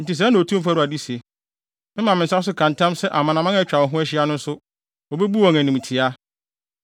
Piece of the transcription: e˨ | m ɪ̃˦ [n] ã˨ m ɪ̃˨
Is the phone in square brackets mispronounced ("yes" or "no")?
yes